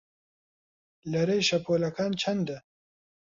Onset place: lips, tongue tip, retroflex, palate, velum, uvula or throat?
tongue tip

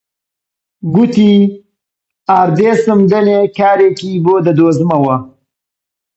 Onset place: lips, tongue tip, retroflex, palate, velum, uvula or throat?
velum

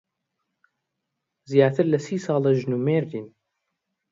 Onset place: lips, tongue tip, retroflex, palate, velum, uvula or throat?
tongue tip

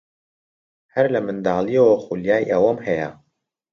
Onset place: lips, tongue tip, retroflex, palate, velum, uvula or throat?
throat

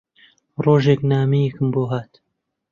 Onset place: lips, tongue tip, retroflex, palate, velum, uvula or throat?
tongue tip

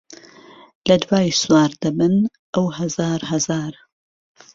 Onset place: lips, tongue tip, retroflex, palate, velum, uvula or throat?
tongue tip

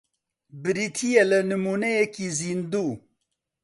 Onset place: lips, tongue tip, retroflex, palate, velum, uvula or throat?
lips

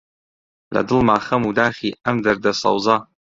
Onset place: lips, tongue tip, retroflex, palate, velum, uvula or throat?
tongue tip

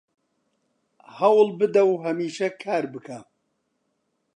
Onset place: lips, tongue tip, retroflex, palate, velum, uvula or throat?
throat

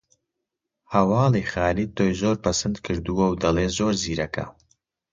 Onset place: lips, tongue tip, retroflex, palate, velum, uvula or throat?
throat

